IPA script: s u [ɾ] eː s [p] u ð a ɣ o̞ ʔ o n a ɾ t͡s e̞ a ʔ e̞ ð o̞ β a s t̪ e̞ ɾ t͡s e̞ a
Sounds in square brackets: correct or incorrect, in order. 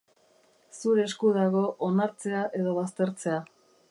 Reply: correct, incorrect: k

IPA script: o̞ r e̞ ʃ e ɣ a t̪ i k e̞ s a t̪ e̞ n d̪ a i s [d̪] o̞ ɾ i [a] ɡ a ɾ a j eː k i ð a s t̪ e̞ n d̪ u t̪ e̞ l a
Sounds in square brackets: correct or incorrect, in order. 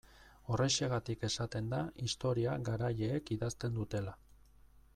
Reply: incorrect: t̪, correct

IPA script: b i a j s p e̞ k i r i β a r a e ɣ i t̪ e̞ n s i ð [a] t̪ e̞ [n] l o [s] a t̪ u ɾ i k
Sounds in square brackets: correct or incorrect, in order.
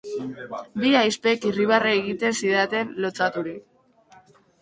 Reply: correct, correct, incorrect: t͡s

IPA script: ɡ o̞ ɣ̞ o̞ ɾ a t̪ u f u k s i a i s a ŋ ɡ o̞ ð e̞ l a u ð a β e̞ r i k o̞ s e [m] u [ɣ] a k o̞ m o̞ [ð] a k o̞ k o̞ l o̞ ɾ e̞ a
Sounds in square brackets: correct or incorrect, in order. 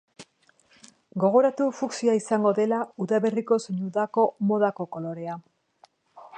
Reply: incorrect: ɲ, incorrect: ð, correct

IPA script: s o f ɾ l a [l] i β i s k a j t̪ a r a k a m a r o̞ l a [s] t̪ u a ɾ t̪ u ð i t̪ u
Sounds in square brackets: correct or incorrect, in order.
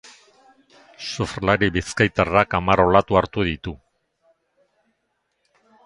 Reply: incorrect: ɾ, incorrect: none

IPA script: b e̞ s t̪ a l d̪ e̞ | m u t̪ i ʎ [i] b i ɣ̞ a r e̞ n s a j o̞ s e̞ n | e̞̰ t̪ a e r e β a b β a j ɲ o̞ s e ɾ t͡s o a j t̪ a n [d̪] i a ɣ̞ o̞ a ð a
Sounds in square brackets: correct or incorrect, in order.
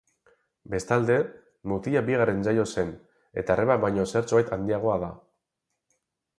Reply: incorrect: a, correct

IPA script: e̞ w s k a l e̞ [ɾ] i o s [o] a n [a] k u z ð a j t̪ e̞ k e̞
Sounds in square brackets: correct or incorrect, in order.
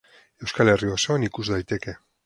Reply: incorrect: r, correct, incorrect: i

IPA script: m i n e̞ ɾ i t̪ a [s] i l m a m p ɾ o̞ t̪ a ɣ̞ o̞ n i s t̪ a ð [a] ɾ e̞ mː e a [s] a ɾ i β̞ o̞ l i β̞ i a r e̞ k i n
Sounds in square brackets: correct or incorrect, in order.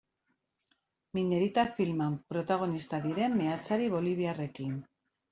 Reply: incorrect: f, incorrect: i, incorrect: t͡s

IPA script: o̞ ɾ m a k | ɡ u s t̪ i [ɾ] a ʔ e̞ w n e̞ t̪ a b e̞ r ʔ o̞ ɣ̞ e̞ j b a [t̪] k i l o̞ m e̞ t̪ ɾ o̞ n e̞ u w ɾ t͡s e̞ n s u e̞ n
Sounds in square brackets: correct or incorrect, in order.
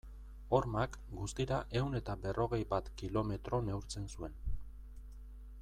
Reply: correct, correct

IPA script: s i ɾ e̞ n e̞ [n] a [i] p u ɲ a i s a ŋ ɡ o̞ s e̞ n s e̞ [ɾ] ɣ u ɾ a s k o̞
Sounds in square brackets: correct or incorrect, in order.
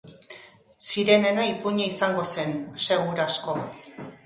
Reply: correct, correct, incorrect: none

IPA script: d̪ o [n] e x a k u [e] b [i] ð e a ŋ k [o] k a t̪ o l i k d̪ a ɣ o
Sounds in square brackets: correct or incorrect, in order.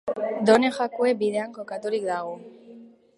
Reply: correct, correct, correct, correct

